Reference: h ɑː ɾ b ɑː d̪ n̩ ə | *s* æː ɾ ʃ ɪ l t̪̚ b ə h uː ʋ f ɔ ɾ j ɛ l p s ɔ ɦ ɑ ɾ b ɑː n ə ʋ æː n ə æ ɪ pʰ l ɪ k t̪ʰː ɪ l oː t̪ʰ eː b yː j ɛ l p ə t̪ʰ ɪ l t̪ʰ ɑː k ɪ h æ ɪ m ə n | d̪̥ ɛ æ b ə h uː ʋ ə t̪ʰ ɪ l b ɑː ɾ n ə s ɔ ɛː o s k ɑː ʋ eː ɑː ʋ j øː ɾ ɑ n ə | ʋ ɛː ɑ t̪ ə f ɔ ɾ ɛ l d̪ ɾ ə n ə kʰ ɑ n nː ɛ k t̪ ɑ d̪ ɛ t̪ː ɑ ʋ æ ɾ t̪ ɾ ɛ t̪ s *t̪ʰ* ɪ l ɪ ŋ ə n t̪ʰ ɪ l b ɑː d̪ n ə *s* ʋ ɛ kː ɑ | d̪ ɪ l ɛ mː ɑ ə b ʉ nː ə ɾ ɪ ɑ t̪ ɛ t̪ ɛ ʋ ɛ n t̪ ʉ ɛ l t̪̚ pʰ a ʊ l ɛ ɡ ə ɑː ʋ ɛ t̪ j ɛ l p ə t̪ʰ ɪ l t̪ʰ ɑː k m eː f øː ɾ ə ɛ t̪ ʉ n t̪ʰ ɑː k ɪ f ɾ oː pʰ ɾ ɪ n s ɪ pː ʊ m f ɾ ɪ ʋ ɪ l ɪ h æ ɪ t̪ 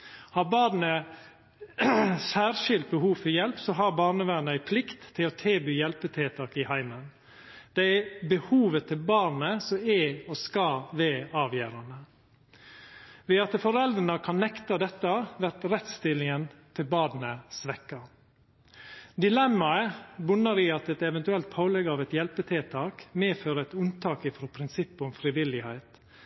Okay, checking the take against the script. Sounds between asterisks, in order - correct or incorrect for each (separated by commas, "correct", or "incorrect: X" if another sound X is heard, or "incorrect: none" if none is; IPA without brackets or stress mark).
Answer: correct, incorrect: t̪, correct